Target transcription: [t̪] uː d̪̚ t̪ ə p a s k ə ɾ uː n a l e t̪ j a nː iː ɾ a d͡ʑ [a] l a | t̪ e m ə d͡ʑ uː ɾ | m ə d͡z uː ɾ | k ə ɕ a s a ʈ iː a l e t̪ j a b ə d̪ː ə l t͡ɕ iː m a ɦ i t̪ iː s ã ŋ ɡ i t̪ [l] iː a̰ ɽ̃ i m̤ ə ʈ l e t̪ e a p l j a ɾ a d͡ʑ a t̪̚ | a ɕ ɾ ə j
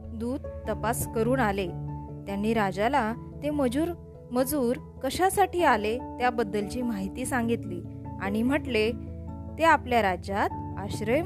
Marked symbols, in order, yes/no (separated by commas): no, yes, yes